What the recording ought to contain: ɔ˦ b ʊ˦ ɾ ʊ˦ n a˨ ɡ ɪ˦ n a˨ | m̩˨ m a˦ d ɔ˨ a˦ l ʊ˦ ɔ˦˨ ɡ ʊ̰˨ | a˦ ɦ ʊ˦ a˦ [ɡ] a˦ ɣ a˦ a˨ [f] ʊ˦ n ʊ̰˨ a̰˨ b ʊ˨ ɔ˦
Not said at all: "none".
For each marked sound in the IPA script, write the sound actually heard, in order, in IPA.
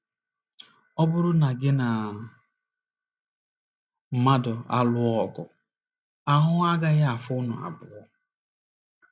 ɡ, f

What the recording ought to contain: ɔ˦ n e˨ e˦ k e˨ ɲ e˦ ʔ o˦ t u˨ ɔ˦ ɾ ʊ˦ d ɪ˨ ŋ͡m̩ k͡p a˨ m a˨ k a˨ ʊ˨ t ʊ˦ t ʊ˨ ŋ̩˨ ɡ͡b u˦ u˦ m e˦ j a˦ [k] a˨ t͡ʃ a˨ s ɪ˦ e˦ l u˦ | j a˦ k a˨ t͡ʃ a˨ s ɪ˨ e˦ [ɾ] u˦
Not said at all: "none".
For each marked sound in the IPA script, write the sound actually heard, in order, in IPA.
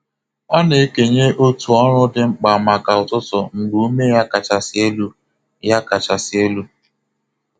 k, l

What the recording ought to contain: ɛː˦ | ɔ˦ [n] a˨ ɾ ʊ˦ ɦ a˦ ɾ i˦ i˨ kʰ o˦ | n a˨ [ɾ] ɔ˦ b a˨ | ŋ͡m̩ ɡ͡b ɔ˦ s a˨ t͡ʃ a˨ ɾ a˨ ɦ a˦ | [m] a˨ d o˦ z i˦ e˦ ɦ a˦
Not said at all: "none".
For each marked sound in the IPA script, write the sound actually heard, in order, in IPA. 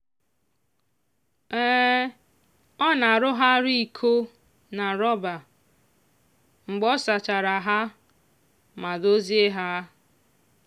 n, ɾ, m

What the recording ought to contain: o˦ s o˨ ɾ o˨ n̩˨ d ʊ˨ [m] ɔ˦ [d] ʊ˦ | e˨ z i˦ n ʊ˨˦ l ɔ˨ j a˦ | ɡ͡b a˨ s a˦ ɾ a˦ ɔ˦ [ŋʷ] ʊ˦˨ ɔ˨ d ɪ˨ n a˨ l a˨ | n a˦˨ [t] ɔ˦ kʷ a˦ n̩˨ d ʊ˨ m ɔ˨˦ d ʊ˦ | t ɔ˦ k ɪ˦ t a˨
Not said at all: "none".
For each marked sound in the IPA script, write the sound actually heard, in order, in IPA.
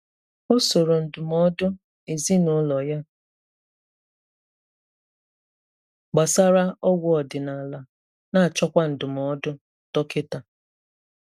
m, d, ɡʷ, t͡ʃ

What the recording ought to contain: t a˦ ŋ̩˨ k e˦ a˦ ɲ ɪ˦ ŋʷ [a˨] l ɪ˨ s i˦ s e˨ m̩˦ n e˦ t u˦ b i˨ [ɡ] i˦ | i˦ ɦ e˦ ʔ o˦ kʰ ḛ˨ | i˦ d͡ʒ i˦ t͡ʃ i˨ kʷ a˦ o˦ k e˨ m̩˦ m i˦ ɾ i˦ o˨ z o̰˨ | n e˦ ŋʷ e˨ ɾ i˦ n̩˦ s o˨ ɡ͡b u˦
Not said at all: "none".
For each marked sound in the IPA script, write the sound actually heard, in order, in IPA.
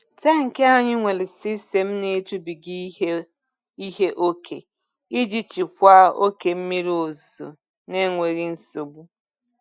e˨, ɡ

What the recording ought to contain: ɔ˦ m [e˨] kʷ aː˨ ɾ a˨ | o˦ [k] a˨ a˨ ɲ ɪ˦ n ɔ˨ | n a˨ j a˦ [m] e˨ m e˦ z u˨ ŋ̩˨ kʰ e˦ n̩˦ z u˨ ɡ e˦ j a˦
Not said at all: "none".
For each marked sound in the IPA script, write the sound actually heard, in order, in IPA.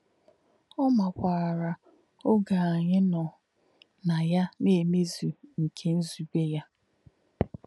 a˨, ɡ, n

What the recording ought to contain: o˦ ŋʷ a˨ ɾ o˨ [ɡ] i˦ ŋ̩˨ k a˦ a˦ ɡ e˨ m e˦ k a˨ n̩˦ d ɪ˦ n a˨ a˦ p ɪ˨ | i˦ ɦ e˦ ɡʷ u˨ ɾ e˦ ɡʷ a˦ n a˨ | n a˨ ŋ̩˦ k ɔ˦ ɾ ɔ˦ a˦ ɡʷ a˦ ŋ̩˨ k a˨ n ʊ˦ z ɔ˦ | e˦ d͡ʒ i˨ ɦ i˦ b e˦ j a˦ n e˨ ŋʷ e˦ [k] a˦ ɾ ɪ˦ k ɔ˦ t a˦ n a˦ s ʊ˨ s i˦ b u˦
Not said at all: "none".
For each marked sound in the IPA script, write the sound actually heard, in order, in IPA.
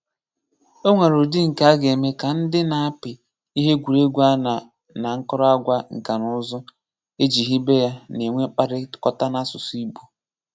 d, k͡p

